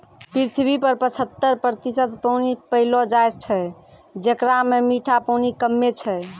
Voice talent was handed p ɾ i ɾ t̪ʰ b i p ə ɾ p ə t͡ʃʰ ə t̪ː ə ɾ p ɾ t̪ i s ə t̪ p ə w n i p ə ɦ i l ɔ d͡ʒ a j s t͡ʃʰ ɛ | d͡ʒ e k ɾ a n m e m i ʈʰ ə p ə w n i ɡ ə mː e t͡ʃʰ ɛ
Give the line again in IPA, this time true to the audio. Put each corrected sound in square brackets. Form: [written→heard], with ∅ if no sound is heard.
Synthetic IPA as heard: p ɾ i ɾ t̪ʰ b i p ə ɾ p ə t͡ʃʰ ə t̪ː ə ɾ p ɾ t̪ i s ə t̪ p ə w n i p ə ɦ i l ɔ d͡ʒ a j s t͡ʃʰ ɛ | d͡ʒ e k ɾ a [n→∅] m e m i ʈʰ [ə→a] p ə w n i [ɡ→k] ə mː e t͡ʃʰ ɛ